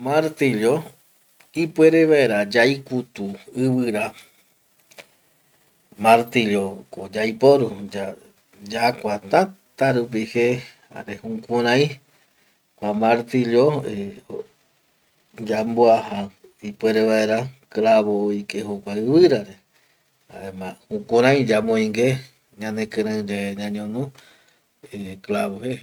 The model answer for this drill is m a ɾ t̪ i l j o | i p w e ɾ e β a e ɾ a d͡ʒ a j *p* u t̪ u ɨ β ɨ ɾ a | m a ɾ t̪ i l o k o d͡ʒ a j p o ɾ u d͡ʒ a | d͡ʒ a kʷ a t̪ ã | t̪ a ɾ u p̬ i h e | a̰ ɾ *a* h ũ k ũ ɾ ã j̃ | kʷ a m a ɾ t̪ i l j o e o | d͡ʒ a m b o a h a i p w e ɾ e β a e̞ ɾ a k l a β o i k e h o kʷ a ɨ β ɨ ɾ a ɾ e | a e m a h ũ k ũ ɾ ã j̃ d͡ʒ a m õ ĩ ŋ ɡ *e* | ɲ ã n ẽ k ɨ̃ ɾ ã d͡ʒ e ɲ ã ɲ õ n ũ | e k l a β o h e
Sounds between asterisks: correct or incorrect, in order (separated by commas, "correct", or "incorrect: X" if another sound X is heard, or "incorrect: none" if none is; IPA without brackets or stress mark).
incorrect: k, incorrect: e, correct